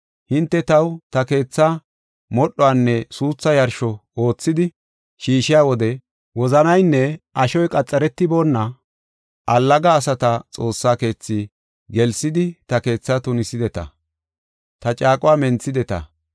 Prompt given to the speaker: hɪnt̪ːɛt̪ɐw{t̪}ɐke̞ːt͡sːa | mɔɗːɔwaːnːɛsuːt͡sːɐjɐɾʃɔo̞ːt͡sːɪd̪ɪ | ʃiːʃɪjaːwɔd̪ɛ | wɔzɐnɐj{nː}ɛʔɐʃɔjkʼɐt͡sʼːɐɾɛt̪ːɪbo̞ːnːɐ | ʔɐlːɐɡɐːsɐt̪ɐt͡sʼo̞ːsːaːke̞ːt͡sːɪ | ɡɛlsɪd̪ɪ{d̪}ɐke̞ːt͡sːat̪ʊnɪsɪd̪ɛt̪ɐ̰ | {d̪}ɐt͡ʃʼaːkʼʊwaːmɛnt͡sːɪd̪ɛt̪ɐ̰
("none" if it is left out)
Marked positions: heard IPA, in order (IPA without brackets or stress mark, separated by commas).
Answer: t̪, nː, t̪, t̪